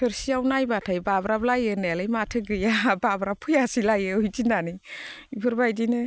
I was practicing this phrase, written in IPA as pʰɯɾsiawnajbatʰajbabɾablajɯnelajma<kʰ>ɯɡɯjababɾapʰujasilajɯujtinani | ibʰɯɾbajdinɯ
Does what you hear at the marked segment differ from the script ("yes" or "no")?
yes